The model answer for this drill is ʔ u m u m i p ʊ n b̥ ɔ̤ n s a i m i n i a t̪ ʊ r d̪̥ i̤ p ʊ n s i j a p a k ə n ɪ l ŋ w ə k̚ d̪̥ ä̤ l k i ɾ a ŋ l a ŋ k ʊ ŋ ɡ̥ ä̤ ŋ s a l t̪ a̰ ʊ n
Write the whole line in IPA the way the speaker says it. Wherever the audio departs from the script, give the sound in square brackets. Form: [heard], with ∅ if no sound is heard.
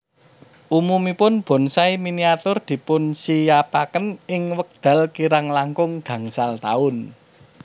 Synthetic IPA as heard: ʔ u m u m i p ʊ n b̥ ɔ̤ n s a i m i n i a t̪ ʊ r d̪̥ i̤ p ʊ n s i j a p a k ə n ɪ [∅] ŋ w ə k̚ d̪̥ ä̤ l k i ɾ a ŋ l a ŋ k ʊ ŋ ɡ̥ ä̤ ŋ s a l t̪ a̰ ʊ n